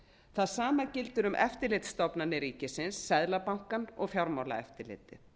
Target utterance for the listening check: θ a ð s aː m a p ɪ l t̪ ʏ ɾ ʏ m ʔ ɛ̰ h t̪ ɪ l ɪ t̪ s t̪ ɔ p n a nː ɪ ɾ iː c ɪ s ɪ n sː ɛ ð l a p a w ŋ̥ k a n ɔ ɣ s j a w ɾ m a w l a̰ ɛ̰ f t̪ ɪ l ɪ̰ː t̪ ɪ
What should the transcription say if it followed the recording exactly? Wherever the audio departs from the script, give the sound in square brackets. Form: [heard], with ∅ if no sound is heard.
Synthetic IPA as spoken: θ a ð s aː m a [c] ɪ l t̪ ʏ ɾ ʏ m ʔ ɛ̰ [f] t̪ ɪ l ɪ t̪ s t̪ ɔ p n a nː ɪ ɾ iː c ɪ s ɪ n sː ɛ ð l a p a w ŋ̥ k a n ɔ ɣ [f] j a w ɾ m a w l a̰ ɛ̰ f t̪ ɪ l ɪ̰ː t̪ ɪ